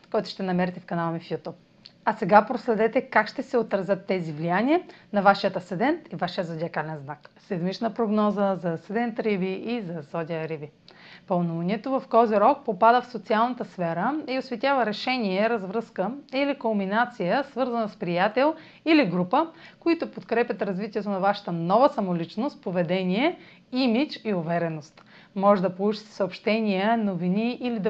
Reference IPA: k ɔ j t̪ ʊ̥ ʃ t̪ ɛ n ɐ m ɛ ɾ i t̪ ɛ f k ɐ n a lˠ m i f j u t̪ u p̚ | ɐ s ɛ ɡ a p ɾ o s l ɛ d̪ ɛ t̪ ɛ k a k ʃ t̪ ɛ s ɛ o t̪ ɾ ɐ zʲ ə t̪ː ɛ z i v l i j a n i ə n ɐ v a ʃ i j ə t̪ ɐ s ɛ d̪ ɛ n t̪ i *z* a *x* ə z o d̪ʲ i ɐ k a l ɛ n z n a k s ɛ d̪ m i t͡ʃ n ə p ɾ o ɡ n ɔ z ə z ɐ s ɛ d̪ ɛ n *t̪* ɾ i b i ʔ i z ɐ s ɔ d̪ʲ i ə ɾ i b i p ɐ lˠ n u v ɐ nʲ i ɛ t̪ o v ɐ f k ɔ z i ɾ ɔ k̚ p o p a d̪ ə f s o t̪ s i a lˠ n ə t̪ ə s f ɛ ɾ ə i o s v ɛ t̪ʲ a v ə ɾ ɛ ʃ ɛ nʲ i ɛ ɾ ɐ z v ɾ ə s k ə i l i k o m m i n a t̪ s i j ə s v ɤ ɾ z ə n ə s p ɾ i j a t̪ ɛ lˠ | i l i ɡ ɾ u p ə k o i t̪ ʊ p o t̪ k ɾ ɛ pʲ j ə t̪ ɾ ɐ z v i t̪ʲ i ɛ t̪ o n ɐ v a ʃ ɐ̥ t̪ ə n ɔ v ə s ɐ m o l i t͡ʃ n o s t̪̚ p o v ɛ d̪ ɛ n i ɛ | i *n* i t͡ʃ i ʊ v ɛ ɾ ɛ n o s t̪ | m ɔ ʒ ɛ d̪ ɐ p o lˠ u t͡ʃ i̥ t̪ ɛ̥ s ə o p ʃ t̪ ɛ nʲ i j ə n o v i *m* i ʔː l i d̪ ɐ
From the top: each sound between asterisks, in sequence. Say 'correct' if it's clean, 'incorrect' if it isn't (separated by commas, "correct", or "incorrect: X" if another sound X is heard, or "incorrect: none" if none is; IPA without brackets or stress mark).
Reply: incorrect: v, incorrect: ʃ, correct, incorrect: m, incorrect: n